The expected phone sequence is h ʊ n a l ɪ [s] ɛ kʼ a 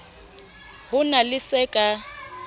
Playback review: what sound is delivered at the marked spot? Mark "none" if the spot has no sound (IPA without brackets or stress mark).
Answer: s